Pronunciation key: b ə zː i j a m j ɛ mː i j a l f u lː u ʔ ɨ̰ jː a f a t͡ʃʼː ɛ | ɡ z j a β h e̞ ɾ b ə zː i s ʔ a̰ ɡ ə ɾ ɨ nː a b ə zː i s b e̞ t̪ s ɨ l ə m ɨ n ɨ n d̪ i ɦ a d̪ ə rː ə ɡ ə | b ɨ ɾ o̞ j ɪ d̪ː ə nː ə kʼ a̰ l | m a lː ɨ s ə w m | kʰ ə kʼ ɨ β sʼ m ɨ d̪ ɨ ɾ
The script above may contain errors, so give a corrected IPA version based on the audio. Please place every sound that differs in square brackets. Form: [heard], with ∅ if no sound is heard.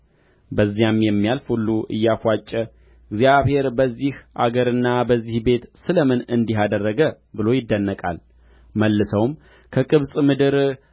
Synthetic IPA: b ə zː i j a m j ɛ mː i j a l f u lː u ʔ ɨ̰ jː a f a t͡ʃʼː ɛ | ɡ z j a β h e̞ ɾ b ə zː i [h] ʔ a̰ ɡ ə ɾ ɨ nː a b ə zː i [h] b e̞ t̪ s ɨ l ə m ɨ n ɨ n d̪ i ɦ a d̪ ə rː ə ɡ ə | b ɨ [l] o̞ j ɪ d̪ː ə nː ə kʼ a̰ l | m [ə] lː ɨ s ə w m | kʰ ə kʼ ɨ β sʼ m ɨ d̪ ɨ ɾ